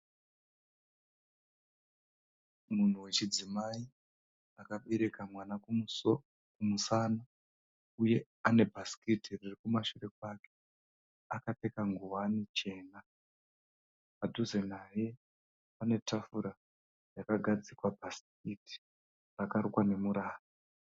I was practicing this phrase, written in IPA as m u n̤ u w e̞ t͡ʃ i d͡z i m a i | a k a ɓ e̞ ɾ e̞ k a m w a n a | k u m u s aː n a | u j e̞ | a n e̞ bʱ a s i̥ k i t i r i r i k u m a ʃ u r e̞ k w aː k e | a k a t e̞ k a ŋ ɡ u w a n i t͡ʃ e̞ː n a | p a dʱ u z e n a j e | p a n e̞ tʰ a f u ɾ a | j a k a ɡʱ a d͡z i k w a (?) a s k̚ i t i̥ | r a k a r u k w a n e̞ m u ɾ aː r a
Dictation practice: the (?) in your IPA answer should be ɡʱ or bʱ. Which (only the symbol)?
bʱ